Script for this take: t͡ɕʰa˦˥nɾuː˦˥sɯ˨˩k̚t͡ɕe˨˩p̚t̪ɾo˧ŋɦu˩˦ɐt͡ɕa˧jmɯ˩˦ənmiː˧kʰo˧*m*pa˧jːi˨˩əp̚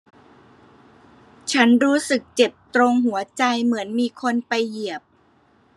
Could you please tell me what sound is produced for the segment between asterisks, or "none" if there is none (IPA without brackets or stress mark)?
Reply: n